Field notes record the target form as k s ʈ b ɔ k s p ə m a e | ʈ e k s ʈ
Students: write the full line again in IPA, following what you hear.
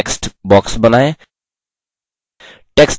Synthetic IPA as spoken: k s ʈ b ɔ k s b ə n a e | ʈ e k s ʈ

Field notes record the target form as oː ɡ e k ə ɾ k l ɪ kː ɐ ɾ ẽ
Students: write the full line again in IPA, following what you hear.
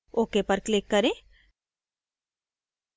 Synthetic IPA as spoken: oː k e p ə ɾ k l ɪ kː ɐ ɾ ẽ

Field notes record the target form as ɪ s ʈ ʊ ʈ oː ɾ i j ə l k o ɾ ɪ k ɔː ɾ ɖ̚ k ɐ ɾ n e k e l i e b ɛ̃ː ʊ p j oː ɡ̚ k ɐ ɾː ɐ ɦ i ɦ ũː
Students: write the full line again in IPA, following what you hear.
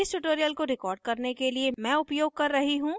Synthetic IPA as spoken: ɪ s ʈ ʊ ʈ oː ɾ i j ə l k o ɾ ɪ k ɔː ɾ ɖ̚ k ɐ ɾ n e k e l i e m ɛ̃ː ʊ p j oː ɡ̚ k ɐ ɾː ɐ ɦ i ɦ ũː

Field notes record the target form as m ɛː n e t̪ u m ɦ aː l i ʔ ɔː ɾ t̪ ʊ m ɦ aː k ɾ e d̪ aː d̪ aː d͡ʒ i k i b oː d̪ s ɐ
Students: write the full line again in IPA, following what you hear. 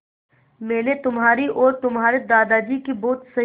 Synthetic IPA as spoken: m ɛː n e t̪ ʊ m ɦ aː ɾ i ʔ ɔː ɾ t̪ ʊ m ɦ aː ɾ e d̪ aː d̪ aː d͡ʒ i k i b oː t̪ s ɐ

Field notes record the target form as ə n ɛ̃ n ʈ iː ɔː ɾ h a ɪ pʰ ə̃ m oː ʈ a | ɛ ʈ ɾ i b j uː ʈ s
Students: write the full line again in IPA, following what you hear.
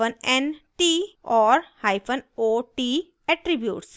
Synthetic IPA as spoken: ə n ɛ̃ n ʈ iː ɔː ɾ h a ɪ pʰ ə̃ n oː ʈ i | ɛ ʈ ɾ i b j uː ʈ s

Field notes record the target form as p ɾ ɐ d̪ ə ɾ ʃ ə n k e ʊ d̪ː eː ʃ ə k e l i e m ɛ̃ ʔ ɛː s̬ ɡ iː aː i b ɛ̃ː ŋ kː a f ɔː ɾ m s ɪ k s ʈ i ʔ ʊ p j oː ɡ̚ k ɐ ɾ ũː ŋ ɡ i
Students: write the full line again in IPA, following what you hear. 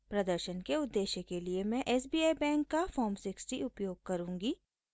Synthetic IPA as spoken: p ɾ ɐ d̪ ə ɾ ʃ ə n k e ʊ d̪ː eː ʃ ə k e l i e m ɛ̃ ʔ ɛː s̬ b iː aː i b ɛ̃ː ŋ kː a f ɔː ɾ m s ɪ k s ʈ i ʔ ʊ p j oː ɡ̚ k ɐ ɾ ũː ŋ ɡ i

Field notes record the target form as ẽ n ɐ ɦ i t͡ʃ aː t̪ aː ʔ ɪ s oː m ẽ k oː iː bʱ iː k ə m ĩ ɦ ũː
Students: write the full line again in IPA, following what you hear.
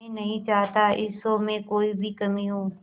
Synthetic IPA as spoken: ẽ n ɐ ɦ ĩ t͡ʃ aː t̪ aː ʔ ɪ s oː m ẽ k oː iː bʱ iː k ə m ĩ ɦ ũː

